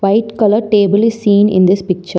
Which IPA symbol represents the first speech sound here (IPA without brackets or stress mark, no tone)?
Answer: ʋ